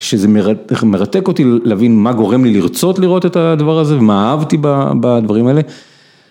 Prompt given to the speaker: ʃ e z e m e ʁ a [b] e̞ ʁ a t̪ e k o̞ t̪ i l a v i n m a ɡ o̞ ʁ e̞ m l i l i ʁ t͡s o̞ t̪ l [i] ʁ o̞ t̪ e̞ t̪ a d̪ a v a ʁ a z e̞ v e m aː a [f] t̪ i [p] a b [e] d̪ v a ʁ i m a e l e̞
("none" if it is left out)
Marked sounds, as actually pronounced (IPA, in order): m, i, v, b, a

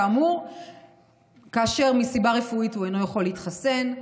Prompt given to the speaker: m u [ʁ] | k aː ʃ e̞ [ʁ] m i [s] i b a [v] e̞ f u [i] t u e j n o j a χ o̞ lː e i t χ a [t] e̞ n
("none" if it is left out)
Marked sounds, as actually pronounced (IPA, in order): ʁ, ʁ, s, ʁ, i, s

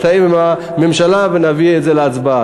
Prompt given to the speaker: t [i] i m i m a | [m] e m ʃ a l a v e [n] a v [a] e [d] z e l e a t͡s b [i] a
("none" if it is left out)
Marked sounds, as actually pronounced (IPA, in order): a, m, n, i, t, a

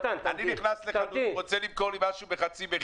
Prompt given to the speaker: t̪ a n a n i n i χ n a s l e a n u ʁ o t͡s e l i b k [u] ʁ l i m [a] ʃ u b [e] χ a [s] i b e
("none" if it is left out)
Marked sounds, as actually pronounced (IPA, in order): o, a, e, t͡s

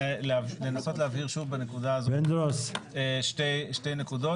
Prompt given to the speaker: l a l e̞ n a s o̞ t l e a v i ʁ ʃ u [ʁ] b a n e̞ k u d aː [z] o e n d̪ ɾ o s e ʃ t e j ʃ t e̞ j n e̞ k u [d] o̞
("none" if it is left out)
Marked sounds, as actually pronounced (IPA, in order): v, z, d

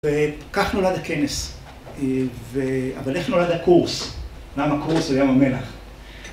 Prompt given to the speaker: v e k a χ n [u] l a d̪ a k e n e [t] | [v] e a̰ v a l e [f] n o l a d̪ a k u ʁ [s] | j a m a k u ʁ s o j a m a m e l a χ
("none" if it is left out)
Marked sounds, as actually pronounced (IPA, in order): o, s, v, χ, s

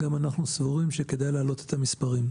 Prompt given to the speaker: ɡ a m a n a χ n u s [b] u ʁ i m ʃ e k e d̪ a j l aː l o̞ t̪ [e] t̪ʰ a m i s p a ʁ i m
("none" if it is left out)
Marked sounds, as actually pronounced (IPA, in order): v, e

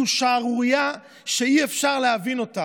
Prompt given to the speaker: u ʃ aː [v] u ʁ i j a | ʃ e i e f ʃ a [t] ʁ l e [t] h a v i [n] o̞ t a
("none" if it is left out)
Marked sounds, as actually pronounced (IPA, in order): ʁ, none, none, n

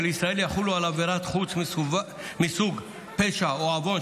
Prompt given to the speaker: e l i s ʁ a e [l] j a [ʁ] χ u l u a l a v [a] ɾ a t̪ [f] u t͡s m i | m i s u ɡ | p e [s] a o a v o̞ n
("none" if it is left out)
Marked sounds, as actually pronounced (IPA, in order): l, none, e, χ, ʃ

